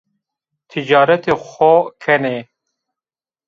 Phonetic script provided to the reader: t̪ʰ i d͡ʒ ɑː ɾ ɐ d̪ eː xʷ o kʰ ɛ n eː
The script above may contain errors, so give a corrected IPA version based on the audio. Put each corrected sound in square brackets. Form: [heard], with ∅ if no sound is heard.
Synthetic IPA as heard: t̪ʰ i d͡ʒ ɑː ɾ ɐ [t̪] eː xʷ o kʰ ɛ n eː